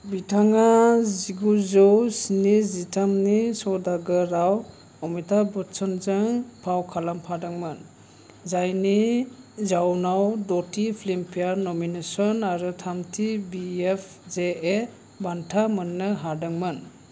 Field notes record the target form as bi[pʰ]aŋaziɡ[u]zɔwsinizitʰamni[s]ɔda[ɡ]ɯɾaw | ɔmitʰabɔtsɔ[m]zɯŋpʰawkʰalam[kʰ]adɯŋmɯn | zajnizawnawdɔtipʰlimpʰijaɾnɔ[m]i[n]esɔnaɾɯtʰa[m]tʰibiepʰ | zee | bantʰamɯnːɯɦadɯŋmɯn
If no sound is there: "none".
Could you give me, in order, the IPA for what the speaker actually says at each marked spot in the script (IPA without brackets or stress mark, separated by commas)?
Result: tʰ, u, s, ɡ, n, pʰ, m, n, m